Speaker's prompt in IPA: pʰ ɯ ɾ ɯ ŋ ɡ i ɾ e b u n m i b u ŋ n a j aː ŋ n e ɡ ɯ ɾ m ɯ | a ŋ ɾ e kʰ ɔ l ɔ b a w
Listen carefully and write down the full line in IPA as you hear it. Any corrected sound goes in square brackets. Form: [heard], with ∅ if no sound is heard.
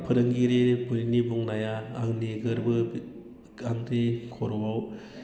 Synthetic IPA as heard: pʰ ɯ ɾ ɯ ŋ ɡ i ɾ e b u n [n] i b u ŋ n a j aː ŋ n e ɡ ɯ ɾ [b] ɯ | a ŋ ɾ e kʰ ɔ [ɾ] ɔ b a w